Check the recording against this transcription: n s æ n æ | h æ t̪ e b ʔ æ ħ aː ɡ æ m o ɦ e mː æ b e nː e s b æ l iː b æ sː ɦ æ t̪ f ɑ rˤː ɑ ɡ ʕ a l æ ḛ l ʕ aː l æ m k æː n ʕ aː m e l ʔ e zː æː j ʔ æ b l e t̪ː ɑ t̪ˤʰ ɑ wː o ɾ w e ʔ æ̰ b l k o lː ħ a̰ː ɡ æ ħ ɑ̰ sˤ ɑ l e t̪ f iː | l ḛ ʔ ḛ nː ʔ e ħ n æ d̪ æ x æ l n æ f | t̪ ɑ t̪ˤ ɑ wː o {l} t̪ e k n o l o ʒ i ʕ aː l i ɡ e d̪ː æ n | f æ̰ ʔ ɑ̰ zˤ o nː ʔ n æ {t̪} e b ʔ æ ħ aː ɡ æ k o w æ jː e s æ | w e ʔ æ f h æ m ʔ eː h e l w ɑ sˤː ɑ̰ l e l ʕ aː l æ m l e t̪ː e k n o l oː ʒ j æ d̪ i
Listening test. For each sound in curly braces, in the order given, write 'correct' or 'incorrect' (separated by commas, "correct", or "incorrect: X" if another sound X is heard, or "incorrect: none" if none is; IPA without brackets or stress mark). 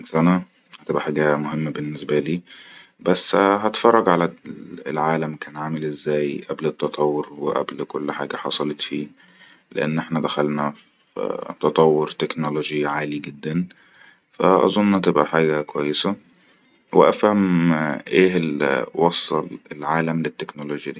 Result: incorrect: ɾ, correct